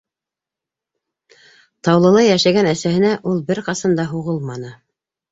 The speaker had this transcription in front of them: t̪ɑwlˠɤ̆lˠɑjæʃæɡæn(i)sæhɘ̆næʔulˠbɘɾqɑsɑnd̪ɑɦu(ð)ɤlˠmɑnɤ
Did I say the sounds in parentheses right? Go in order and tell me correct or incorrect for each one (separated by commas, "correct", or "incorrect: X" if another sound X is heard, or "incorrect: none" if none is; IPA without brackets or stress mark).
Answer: incorrect: æ, incorrect: ʁ